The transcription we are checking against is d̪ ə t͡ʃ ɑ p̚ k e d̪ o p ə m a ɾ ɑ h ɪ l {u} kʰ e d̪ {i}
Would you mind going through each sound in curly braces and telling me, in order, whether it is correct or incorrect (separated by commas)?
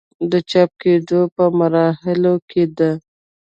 incorrect, incorrect